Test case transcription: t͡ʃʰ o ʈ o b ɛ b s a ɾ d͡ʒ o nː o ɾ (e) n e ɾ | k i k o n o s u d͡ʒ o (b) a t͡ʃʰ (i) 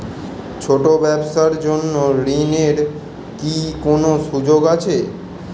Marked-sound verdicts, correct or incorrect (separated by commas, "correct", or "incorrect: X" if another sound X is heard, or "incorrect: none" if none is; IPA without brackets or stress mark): incorrect: i, incorrect: ɡ, incorrect: e